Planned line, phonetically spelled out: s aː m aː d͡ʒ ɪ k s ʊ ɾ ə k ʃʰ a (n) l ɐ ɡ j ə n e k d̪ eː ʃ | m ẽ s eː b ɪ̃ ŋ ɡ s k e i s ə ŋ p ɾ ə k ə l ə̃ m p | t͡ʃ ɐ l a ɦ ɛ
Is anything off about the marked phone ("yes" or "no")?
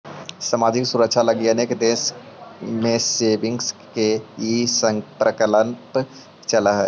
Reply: yes